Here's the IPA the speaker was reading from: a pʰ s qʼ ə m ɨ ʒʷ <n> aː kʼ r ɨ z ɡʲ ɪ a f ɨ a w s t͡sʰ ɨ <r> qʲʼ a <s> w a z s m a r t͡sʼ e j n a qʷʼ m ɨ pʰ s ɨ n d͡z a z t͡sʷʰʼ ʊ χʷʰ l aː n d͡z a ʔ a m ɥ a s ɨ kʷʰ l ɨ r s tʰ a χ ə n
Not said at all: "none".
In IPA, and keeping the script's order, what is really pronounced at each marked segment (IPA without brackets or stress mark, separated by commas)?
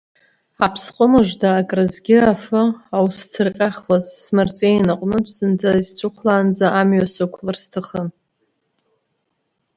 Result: d, r, χ